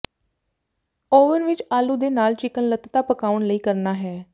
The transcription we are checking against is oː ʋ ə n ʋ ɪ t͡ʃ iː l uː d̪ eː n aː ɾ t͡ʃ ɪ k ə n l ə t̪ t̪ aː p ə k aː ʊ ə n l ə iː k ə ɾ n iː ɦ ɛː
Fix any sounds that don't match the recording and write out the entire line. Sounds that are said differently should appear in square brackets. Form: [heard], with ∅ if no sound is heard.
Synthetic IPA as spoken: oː ʋ ə n ʋ ɪ t͡ʃ [aː] l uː d̪ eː n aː [l] t͡ʃ ɪ k ə n l ə t̪ t̪ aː p ə k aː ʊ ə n l ə iː k ə ɾ n [aː] ɦ ɛː

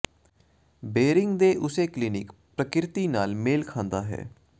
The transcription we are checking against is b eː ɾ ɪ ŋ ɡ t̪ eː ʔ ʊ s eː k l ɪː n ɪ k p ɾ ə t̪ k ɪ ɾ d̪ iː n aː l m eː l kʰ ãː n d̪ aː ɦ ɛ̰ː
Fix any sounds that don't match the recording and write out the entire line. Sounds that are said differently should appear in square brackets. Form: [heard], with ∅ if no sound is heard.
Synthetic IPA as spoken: b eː ɾ ɪ ŋ ɡ [d̪] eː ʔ ʊ s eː k l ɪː n ɪ k p ɾ ə [∅] k ɪ ɾ [t̪] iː n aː l m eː l kʰ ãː n d̪ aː ɦ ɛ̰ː

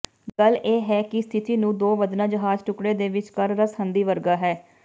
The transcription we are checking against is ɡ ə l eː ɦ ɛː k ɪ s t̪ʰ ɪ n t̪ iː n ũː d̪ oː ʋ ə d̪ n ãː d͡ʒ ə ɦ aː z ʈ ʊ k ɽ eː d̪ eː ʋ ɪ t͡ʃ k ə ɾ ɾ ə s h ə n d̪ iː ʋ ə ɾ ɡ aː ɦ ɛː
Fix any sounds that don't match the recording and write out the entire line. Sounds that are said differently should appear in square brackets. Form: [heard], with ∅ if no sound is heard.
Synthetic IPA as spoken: ɡ ə l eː ɦ ɛː k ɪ s t̪ʰ ɪ [∅] t̪ iː n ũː d̪ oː ʋ ə d̪ n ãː d͡ʒ ə ɦ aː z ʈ ʊ k ɽ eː d̪ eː ʋ ɪ t͡ʃ k ə ɾ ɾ ə s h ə n d̪ iː ʋ ə ɾ ɡ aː ɦ ɛː

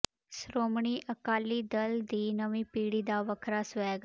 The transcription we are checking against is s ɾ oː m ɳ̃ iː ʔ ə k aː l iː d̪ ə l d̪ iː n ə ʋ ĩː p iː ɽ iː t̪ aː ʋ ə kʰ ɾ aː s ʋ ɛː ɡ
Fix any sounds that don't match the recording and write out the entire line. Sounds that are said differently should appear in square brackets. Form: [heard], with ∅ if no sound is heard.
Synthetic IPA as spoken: s ɾ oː m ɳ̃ iː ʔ ə k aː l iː d̪ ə l d̪ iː n ə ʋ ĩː p iː ɽ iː [d̪] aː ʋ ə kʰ ɾ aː s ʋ ɛː ɡ

